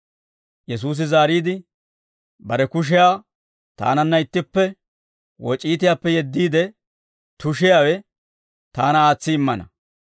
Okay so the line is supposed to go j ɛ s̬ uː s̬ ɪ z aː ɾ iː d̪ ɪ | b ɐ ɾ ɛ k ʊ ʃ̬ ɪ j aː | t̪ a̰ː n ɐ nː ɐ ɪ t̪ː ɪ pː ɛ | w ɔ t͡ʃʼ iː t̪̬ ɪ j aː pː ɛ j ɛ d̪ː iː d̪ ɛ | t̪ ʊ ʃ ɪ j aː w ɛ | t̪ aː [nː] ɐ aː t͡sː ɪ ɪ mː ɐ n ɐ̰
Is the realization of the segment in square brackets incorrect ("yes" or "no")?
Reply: yes